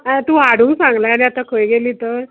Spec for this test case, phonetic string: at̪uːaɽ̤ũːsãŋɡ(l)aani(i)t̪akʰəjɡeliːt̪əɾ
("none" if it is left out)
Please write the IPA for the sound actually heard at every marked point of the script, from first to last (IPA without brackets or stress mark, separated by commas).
l, a